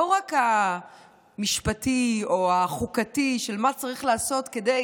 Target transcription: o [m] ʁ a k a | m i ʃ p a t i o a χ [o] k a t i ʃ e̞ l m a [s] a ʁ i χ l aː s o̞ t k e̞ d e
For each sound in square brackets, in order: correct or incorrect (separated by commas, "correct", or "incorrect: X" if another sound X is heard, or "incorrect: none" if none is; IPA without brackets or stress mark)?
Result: incorrect: none, incorrect: u, incorrect: t͡s